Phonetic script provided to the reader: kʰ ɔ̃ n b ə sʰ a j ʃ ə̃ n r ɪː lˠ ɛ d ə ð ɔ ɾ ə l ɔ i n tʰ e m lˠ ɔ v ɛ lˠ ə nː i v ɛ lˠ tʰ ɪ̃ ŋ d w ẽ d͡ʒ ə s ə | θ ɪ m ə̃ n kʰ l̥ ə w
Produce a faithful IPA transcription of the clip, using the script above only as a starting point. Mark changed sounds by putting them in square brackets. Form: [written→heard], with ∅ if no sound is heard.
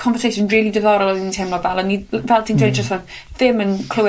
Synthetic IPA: kʰ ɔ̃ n [b→v] ə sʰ [a→e] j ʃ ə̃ n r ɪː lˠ [ɛ→i] d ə ð ɔ ɾ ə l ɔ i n tʰ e m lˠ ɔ v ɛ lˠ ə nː i v ɛ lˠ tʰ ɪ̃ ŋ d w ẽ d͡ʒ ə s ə | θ ɪ m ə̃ n kʰ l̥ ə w